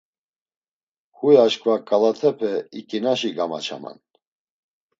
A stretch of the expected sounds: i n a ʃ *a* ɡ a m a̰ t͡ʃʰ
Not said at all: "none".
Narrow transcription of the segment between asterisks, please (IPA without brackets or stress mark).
i